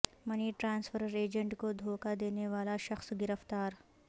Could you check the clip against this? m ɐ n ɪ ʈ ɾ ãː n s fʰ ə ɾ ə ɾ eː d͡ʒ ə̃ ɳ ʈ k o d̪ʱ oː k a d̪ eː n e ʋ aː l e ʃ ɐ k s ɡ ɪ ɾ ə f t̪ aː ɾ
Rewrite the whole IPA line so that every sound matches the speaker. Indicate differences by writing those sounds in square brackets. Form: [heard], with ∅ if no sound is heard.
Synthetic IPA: m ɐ n [i] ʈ ɾ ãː n s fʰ ə ɾ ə ɾ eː d͡ʒ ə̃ ɳ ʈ k o d̪ʱ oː k a d̪ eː n e ʋ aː l [a] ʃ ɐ [x] s ɡ ɪ ɾ ə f t̪ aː ɾ